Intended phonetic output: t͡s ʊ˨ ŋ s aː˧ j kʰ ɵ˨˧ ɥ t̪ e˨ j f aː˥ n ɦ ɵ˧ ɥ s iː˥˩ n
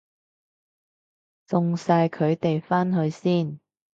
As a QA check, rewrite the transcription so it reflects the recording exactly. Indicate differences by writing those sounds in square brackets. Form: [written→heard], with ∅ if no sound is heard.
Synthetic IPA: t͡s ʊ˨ ŋ s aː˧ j kʰ ɵ˨˧ ɥ t̪ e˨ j f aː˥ n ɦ ɵ˧ ɥ s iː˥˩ n